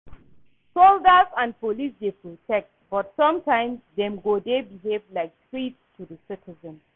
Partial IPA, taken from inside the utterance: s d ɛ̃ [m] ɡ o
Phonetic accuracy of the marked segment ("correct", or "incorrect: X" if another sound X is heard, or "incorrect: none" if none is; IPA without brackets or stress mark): correct